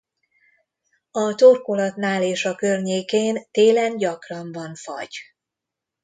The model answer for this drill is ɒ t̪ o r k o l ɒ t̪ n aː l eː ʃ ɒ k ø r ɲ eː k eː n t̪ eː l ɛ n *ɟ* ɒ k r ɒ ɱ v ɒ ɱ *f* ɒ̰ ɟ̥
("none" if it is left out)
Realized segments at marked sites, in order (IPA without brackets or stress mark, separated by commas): ɟ, f